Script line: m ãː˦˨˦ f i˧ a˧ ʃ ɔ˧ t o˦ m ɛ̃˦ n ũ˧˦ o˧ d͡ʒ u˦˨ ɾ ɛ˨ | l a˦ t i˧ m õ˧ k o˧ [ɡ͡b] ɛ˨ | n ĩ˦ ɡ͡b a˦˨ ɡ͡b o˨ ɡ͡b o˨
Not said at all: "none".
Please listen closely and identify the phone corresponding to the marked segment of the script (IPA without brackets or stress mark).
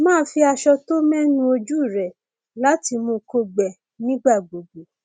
ɡ͡b